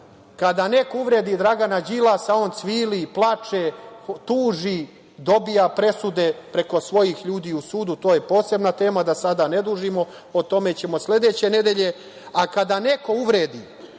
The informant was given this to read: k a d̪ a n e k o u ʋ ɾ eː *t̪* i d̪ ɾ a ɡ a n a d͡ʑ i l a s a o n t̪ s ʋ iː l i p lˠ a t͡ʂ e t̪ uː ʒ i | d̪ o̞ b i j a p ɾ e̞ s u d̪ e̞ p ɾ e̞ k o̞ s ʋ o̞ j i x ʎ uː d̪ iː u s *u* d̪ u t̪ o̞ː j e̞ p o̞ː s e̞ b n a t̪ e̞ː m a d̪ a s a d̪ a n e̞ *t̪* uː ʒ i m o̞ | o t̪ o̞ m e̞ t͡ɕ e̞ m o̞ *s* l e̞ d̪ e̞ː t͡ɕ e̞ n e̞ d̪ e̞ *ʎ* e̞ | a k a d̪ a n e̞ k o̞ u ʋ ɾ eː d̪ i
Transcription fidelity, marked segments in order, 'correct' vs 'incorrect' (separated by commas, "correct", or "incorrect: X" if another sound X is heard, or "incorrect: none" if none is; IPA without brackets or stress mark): incorrect: d̪, incorrect: uː, incorrect: d̪, correct, correct